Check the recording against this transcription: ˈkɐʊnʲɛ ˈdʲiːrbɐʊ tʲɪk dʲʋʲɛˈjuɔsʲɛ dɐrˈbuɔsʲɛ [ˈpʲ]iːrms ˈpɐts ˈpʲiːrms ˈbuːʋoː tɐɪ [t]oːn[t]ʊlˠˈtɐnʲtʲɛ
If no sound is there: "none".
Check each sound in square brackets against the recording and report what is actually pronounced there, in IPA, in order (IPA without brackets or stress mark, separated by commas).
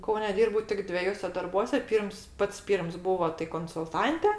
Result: pʲ, k, s